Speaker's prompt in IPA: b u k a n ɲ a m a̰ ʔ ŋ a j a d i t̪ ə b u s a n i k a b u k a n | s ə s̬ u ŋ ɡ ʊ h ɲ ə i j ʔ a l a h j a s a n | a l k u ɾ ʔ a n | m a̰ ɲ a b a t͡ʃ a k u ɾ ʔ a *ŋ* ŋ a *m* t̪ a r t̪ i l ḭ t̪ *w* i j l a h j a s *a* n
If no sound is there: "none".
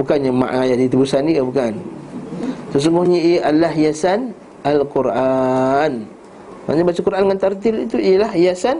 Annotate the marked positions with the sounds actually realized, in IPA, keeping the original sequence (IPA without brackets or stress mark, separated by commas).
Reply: n, n, u, a